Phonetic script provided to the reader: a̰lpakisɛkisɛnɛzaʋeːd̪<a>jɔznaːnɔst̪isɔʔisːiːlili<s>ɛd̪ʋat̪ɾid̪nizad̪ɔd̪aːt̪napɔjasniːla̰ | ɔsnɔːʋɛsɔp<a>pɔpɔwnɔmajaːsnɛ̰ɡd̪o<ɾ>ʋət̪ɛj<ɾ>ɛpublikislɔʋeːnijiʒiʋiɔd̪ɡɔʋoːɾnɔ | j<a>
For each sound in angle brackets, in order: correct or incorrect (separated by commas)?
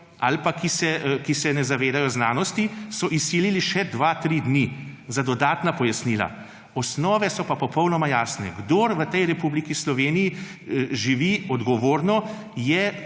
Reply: correct, incorrect, correct, correct, correct, incorrect